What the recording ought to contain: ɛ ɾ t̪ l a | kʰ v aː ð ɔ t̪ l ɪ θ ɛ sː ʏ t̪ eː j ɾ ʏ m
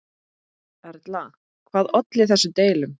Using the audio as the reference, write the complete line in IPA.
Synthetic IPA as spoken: ɛ ɾ t̪ l a | kʰ v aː ð ɔ t̪ l ɪ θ ɛ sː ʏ t̪ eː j l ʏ m